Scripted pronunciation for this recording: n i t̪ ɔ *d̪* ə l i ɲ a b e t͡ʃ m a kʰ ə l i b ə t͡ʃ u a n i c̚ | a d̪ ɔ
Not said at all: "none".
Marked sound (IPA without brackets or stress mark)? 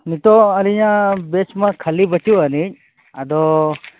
none